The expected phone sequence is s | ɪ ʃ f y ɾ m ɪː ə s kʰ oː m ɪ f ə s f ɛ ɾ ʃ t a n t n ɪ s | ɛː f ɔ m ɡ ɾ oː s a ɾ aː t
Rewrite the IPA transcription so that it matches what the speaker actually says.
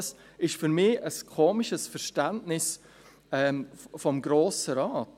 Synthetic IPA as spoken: s | ɪ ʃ f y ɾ m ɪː ə s kʰ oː m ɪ ʃ ə s f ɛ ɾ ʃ t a n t n ɪ s | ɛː f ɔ m ɡ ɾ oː s ə ɾ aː t